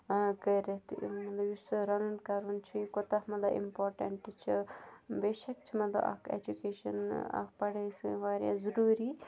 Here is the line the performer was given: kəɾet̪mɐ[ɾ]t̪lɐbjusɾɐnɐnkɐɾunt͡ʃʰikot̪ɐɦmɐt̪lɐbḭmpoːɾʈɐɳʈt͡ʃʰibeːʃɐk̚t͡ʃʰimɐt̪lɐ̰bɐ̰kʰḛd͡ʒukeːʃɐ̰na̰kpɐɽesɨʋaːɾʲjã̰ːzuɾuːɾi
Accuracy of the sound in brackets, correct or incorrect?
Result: incorrect